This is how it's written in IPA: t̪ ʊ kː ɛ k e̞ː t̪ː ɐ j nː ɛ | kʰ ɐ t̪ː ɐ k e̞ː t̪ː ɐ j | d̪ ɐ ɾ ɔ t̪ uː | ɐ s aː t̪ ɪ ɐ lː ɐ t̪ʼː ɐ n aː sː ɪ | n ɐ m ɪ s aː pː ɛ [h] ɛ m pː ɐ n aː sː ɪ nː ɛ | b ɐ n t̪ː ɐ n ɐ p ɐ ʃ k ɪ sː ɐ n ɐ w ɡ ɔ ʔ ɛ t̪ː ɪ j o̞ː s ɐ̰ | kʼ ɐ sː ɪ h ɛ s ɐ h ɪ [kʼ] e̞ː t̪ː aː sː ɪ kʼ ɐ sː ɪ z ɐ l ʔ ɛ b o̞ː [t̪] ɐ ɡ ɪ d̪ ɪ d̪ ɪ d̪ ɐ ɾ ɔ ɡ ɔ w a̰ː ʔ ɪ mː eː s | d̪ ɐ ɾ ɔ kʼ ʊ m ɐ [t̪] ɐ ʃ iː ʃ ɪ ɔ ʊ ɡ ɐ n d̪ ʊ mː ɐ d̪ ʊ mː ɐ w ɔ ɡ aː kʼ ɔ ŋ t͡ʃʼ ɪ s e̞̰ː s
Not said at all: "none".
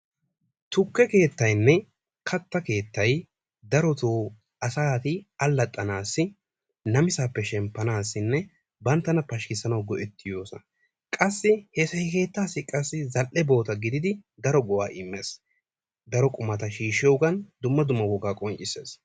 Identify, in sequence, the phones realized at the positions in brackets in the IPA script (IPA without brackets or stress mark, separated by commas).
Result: ʃ, k, t̪, t̪